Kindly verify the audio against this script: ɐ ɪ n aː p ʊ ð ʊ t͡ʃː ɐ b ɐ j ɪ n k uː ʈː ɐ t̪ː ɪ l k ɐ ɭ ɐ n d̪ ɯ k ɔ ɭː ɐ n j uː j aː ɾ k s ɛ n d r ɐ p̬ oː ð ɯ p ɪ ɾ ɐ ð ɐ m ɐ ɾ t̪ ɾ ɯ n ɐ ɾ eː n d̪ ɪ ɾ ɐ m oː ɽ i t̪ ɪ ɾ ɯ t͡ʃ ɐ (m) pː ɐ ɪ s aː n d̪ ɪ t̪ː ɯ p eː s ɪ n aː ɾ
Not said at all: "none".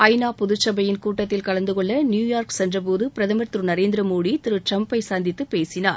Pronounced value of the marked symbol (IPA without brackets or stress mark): m